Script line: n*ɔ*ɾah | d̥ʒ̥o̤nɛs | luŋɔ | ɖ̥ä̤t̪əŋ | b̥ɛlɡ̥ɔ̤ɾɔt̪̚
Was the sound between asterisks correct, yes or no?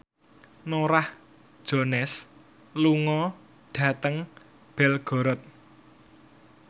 no